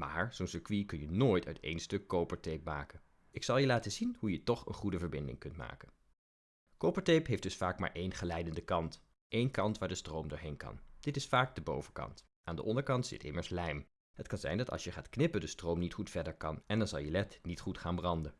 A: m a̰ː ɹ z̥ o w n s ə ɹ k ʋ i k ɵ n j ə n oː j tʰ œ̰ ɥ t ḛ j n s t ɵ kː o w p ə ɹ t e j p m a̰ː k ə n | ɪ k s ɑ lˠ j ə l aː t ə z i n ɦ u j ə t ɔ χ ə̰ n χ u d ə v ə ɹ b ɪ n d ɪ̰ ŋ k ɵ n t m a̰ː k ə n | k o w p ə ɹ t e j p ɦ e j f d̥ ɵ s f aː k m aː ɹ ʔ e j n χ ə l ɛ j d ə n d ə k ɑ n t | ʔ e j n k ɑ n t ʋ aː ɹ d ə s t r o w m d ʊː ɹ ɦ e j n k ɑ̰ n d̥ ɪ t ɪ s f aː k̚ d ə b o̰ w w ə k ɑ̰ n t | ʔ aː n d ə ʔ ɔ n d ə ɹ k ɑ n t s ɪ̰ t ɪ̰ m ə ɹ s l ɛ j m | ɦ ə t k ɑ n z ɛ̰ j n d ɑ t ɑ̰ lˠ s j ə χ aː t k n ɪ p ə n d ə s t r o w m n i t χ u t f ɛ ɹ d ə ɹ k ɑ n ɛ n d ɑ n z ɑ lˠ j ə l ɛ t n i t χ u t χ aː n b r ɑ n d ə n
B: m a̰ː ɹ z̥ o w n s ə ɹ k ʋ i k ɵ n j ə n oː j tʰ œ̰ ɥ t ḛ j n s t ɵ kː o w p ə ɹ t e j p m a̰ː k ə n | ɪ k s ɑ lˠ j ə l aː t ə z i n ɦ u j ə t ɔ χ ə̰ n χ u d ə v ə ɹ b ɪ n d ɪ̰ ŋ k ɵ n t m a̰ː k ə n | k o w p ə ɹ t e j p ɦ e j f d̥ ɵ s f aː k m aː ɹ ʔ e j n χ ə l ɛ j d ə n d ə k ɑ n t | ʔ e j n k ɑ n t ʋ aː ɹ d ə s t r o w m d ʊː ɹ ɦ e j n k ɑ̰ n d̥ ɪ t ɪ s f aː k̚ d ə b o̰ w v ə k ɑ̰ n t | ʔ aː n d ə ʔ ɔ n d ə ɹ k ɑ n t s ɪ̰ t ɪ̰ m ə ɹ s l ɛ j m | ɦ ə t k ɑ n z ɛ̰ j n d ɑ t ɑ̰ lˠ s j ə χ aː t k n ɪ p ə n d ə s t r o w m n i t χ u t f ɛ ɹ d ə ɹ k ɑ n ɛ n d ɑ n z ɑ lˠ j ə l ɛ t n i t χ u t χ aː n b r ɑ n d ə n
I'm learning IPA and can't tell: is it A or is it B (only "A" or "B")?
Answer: B